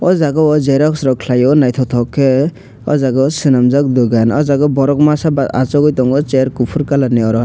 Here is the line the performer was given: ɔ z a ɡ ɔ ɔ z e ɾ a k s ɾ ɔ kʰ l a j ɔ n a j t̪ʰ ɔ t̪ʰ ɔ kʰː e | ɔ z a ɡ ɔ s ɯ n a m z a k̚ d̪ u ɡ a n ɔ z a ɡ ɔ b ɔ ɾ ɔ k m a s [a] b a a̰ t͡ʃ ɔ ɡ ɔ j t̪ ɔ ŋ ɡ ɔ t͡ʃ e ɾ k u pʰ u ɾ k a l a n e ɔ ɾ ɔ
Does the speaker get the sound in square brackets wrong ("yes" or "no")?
no